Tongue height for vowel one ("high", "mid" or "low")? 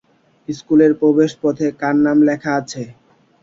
high